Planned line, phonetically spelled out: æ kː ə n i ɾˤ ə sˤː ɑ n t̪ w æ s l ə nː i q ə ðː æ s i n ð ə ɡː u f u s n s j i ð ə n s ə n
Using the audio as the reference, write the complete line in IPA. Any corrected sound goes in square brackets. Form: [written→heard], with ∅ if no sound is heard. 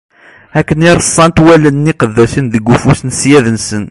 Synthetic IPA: æ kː ə n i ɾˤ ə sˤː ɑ n t̪ w æ [s→∅] l ə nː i q ə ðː æ s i n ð ə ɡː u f u s n s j [i→æ] ð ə n s ə n